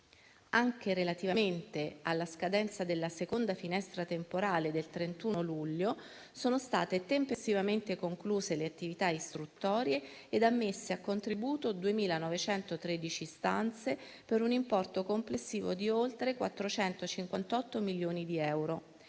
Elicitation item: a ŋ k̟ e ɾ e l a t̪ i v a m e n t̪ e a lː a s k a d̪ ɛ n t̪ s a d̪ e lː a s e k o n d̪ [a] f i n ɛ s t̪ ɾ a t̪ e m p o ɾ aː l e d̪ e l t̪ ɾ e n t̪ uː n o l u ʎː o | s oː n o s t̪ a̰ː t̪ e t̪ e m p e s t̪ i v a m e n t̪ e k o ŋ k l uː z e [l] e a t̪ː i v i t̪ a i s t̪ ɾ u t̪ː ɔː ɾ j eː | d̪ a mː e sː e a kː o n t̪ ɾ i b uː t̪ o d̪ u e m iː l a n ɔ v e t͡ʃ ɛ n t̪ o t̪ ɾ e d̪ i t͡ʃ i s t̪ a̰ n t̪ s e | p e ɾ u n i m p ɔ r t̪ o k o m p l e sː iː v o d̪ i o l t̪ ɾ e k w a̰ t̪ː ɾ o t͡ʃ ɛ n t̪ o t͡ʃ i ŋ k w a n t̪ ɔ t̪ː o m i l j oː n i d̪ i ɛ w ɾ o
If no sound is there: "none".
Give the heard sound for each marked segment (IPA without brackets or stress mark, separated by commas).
a, l